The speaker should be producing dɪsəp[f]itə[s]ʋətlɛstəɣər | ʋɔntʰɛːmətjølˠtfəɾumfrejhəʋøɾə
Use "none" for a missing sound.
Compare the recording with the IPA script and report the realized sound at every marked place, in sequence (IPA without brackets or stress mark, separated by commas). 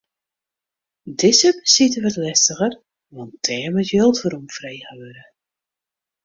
s, none